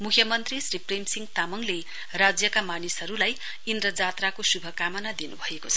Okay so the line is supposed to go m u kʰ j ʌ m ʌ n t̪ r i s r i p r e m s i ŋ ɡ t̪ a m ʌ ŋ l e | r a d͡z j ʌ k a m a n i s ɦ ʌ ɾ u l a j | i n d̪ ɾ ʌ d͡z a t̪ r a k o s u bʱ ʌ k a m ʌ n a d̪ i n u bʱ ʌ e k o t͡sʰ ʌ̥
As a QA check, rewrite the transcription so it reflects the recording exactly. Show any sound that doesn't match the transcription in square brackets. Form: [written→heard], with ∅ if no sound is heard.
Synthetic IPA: m u kʰ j ʌ m ʌ n t̪ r i s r i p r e m s i ŋ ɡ t̪ a m ʌ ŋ l e | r a d͡z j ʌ k a m a n i s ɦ ʌ ɾ u l a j | i n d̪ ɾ ʌ d͡z a t̪ r a k o s u bʱ ʌ k a m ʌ n a d̪ i n u bʱ ʌ e k o t͡sʰ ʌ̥